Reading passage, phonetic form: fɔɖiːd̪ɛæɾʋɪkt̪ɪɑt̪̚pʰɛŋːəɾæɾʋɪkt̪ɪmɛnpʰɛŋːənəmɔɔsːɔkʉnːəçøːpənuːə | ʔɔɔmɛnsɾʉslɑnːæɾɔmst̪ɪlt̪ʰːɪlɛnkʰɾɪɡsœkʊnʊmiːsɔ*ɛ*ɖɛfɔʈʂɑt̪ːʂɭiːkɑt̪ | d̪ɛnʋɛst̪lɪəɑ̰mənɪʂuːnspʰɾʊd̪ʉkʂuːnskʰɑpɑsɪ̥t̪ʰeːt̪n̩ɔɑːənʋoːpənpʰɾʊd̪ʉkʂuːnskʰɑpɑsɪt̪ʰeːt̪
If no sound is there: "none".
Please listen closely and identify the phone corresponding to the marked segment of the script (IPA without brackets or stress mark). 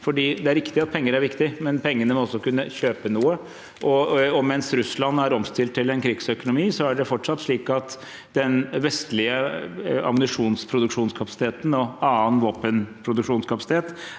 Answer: æ